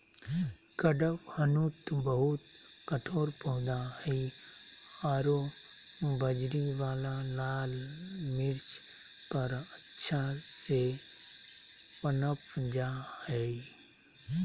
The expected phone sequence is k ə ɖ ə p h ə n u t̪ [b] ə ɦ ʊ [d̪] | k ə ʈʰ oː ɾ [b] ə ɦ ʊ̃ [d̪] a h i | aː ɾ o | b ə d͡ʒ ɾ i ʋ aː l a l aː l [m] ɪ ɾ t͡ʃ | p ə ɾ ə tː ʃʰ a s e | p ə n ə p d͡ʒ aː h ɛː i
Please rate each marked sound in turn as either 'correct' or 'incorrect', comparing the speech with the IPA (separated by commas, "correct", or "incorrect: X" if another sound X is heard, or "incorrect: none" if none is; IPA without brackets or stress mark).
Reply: correct, incorrect: t̪, incorrect: p, correct, correct